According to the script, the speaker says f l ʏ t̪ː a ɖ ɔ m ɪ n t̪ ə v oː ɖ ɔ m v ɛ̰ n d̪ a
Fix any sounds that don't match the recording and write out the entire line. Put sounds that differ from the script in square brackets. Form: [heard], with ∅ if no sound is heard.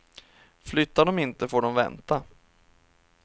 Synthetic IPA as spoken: f l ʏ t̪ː a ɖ ɔ m ɪ n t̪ ə [f] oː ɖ ɔ m v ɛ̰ n [t̪] a